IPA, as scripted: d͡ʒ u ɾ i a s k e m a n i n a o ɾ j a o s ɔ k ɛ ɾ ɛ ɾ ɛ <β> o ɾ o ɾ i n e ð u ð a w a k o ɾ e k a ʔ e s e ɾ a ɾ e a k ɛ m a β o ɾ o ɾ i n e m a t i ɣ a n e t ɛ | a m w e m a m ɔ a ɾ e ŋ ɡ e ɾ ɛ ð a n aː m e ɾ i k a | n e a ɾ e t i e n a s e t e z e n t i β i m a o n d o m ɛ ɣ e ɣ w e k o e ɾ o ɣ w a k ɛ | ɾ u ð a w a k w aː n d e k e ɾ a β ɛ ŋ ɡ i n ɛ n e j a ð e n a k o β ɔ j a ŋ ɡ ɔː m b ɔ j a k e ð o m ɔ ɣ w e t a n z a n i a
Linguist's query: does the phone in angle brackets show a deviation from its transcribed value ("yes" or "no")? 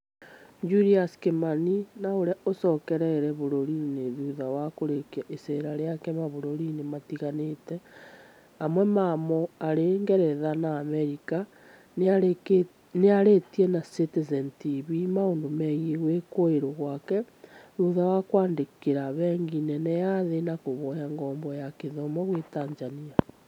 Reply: no